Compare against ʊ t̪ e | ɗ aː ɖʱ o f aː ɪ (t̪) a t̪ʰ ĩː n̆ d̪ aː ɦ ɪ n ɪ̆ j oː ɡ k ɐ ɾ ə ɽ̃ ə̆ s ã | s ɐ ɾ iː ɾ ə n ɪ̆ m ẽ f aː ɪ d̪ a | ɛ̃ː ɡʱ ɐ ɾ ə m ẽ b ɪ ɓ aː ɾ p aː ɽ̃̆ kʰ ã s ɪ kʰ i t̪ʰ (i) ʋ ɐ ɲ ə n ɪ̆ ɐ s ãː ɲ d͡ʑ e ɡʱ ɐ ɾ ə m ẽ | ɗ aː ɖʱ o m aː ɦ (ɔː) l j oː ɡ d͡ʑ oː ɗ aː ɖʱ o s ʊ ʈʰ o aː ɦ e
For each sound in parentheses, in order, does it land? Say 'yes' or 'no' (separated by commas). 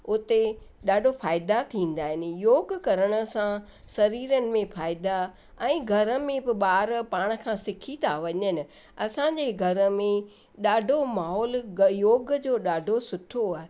no, no, yes